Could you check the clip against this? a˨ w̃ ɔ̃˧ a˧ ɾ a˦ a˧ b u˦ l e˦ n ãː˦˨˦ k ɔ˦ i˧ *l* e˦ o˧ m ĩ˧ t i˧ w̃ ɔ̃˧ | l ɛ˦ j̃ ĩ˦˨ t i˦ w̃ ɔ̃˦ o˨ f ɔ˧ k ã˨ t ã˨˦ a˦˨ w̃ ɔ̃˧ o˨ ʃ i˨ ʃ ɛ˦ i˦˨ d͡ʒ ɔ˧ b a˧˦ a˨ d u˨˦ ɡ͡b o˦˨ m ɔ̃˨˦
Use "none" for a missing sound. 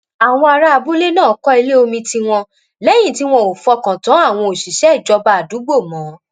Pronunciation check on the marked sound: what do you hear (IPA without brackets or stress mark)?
l